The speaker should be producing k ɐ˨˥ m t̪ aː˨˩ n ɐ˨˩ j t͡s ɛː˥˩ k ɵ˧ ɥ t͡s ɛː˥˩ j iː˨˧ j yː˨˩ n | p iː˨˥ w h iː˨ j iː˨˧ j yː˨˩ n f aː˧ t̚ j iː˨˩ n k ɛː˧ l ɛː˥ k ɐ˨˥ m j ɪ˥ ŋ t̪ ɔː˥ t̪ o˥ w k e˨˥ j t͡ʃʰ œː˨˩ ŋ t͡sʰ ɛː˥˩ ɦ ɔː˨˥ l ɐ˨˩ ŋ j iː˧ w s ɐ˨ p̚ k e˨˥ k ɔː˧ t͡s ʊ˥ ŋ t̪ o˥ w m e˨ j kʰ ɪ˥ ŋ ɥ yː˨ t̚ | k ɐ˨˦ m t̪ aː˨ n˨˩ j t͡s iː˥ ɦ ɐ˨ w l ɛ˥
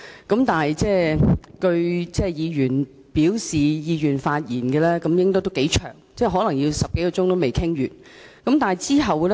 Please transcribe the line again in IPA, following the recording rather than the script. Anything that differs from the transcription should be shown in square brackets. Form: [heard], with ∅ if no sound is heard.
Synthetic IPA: k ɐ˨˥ m t̪ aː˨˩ n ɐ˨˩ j t͡s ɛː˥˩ k ɵ˧ ɥ t͡s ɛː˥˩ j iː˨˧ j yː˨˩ n | p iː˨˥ w [s] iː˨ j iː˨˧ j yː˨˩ n f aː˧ t̚ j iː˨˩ n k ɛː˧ l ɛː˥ k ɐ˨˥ m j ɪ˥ ŋ t̪ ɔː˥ t̪ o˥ w k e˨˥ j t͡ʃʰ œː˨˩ ŋ [t͡s] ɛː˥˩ ɦ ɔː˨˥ l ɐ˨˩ ŋ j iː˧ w s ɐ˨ p̚ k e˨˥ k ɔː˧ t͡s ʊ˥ ŋ t̪ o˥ w m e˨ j kʰ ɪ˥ ŋ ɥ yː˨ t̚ | k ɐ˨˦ m t̪ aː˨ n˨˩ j t͡s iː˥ ɦ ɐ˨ w l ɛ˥